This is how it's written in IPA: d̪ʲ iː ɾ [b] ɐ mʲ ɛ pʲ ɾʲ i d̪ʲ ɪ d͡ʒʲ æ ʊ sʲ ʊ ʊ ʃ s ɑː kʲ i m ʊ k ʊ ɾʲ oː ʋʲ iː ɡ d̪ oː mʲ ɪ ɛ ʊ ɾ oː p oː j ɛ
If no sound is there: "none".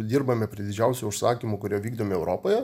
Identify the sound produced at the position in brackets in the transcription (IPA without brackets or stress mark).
b